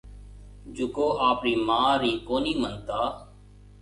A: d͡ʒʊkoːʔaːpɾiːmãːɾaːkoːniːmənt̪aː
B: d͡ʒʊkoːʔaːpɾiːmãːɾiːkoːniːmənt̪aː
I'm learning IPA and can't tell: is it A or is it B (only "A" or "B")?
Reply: B